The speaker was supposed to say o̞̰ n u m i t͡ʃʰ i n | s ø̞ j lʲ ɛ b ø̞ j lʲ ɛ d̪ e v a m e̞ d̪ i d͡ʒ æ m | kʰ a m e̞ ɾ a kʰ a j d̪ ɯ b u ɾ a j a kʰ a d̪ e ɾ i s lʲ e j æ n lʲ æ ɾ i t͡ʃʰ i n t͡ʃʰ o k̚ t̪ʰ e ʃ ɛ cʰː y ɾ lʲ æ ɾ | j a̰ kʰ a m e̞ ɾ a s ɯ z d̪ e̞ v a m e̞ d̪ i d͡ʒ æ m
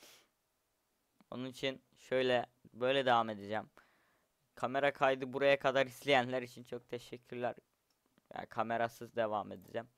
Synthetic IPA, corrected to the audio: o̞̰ n u n i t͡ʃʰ i n | ʃ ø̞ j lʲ ɛ b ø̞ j lʲ ɛ d̪ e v a m e̞ d̪ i d͡ʒ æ m | kʰ a m e̞ ɾ a kʰ a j d̪ ɯ b u ɾ a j a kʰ a d̪ a ɾ i s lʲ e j æ n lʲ æ ɾ i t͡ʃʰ i n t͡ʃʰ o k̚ t̪ʰ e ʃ ɛ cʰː y ɾ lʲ æ ɾ | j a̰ kʰ a m e̞ ɾ a s ɯ z d̪ e̞ v a m e̞ d̪ i d͡ʒ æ m